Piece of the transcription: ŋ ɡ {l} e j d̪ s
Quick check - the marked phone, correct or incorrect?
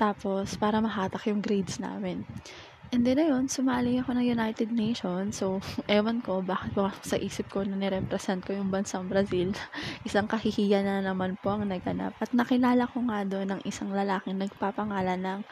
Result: incorrect